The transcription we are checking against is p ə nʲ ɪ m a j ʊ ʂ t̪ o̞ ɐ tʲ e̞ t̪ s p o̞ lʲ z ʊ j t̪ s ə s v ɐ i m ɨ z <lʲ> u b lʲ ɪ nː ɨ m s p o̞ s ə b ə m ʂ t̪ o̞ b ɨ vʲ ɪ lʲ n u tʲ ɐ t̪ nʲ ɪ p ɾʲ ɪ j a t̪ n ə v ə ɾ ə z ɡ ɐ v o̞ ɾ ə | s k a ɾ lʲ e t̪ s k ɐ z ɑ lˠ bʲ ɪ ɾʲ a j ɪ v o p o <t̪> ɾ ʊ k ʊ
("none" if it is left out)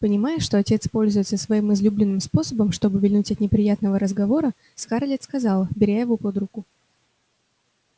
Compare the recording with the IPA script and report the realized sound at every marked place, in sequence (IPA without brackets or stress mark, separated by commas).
lʲ, d̪